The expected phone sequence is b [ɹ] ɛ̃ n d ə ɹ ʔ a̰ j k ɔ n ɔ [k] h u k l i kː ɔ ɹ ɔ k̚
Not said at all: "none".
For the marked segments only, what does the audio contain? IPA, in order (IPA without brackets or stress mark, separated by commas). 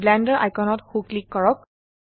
l, t